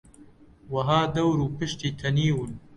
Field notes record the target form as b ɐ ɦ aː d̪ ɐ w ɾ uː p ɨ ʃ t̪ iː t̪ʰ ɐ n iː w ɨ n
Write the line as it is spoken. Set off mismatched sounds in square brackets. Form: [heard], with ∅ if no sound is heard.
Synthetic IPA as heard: [w] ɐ ɦ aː d̪ ɐ w ɾ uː p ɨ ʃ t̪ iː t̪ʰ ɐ n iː w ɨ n